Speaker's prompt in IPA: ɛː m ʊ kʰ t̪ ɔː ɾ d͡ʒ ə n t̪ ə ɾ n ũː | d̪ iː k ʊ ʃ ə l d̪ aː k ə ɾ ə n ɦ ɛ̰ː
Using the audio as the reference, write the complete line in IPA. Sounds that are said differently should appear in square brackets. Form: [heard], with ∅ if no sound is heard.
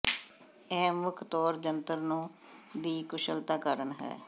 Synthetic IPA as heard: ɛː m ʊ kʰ t̪ ɔː ɾ d͡ʒ ə n t̪ ə ɾ n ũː | d̪ iː k ʊ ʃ ə l [t̪] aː k ə ɾ ə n ɦ ɛ̰ː